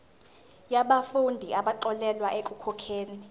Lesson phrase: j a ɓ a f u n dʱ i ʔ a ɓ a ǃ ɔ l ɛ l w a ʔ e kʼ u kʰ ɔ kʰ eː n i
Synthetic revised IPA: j a ɓ a f u n dʱ i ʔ a ɓ a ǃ ɔ l ɛ l w a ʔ e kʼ u kʰ ɔ kʰ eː n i